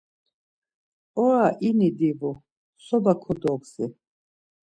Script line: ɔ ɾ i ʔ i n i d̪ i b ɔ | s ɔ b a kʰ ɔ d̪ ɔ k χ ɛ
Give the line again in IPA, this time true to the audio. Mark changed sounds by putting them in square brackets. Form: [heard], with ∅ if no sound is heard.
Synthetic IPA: ɔ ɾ [a] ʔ i n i d̪ i [v] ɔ | s ɔ b a kʰ ɔ d̪ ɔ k [s] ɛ